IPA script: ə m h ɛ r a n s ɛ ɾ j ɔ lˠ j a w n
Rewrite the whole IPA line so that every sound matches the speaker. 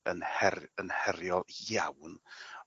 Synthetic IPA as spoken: ə n h ɛ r ə n h ɛ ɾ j ɔ lˠ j a w n